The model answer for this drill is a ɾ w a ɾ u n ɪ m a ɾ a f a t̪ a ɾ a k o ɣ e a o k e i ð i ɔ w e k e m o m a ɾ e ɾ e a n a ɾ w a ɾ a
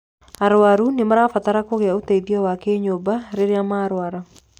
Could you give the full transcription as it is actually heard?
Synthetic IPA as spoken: a ɾ w a ɾ u n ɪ m a ɾ a f a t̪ a ɾ a k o ɣ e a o t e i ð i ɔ w a k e ɲ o b a ɾ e ɾ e a m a ɾ w a ɾ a